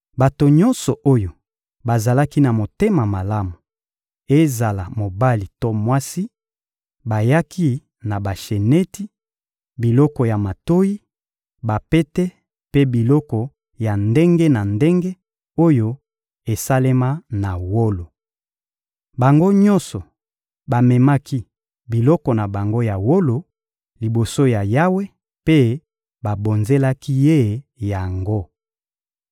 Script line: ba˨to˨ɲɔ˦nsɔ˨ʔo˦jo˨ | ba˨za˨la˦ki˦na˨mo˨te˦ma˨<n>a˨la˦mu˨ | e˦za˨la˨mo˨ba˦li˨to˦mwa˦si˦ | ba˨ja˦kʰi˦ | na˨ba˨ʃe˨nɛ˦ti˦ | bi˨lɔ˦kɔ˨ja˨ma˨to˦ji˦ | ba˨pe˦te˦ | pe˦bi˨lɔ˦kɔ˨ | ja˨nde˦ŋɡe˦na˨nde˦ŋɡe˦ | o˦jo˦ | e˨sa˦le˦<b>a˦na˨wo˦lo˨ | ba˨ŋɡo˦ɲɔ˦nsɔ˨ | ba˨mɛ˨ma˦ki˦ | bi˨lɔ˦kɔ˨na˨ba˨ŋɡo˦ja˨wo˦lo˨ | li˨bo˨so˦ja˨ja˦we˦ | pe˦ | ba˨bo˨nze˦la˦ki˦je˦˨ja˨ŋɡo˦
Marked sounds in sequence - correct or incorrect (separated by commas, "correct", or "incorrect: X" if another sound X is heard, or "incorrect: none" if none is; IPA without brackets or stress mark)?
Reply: incorrect: m, incorrect: m